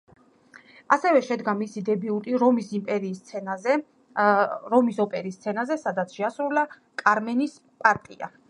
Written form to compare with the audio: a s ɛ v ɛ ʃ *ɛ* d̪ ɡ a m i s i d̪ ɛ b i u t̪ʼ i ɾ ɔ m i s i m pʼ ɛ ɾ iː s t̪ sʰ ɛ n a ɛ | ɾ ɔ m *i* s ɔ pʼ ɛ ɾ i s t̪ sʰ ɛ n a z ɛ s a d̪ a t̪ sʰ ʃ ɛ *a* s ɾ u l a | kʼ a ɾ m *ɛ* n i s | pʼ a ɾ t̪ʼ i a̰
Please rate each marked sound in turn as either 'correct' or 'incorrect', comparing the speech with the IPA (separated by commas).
correct, correct, correct, correct